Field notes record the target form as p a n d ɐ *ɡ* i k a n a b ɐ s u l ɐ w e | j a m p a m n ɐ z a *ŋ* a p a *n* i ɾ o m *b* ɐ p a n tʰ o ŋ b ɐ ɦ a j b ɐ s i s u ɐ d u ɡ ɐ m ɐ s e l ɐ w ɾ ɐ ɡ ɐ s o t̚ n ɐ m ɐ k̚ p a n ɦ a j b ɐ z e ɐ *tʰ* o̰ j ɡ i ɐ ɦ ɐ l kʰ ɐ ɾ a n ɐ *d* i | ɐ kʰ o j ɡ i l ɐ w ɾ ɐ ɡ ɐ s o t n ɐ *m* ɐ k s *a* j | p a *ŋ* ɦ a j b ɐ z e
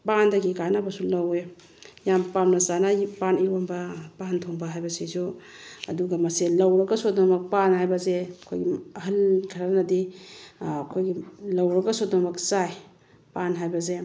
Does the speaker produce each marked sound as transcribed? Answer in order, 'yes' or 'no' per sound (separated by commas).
yes, no, yes, yes, no, yes, yes, yes, no